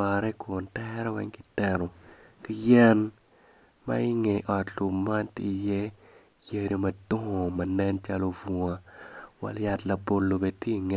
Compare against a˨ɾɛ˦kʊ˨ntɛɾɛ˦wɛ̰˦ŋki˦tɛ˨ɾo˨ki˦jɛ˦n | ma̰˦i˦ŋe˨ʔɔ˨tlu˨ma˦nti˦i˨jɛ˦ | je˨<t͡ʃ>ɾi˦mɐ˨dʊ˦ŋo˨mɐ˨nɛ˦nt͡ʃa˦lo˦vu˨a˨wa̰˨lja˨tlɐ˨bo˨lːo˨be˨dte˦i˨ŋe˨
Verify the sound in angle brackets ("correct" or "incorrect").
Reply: incorrect